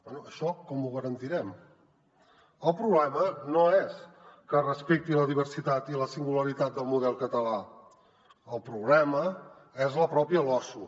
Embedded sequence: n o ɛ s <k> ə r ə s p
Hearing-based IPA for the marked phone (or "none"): k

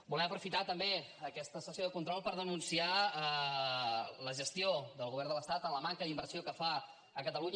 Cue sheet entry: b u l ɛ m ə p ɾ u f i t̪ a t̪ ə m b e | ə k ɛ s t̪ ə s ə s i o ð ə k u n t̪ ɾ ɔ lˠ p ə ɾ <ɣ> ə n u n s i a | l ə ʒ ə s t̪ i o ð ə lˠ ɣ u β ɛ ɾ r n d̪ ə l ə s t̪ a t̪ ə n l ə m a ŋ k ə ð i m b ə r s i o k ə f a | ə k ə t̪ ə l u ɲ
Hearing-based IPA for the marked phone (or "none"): ð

